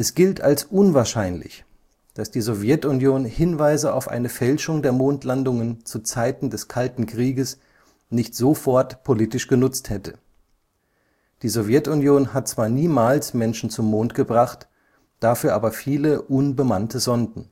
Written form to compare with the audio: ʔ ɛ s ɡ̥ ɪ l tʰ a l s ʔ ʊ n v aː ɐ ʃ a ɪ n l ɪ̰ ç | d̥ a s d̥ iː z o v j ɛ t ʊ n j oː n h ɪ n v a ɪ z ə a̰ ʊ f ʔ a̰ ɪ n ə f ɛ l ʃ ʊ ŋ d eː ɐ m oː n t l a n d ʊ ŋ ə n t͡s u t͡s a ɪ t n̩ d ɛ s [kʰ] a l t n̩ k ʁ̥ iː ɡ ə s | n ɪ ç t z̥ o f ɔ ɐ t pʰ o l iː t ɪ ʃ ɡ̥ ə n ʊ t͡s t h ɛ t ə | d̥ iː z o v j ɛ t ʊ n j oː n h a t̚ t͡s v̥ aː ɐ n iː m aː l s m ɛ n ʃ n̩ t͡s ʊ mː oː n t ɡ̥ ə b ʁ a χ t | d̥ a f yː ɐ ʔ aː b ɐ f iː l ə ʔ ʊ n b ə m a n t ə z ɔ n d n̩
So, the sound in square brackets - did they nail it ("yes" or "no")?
yes